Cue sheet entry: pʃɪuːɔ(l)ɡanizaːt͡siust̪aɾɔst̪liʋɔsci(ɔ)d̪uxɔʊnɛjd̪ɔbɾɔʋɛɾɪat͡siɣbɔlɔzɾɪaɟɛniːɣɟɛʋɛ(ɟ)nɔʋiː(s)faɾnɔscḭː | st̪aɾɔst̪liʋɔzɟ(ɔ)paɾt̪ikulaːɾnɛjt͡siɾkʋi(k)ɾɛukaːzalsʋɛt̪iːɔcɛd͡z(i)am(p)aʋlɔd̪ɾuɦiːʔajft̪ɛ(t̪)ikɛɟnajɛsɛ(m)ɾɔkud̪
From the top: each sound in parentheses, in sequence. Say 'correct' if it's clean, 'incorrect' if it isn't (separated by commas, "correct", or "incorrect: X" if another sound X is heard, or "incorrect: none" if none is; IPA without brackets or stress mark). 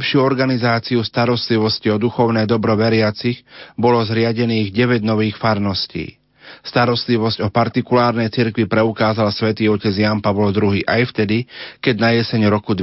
incorrect: ɾ, correct, correct, incorrect: x, correct, incorrect: p, incorrect: j, correct, incorrect: d̪, incorrect: ɲ